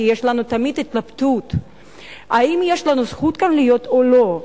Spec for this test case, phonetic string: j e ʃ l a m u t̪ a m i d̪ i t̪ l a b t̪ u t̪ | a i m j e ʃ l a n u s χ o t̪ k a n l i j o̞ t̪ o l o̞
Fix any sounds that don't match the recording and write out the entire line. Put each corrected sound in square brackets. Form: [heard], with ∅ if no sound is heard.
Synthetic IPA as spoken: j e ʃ l a [n] u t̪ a m i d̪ i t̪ l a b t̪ u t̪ | a i m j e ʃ l a n u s χ [u] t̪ k a n l i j o̞ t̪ o l o̞